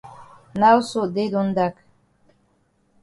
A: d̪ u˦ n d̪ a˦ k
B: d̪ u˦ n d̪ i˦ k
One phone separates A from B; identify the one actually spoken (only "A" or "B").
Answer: A